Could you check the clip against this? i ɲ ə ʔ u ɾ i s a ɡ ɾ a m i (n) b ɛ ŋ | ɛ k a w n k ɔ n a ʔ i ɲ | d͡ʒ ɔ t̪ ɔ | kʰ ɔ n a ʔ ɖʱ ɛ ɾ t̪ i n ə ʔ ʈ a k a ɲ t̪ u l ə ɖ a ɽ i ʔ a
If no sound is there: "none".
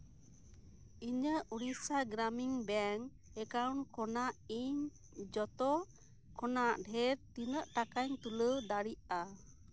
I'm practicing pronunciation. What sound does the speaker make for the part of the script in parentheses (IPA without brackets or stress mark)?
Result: ŋ